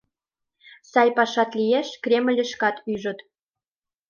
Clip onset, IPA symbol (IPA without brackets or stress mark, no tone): s